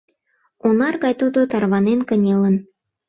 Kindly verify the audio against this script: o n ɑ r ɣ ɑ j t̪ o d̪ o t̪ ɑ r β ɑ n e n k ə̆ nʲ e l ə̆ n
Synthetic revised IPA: o n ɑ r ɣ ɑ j t̪ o d̪ o t̪ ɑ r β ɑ n e n k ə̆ nʲ e l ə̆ n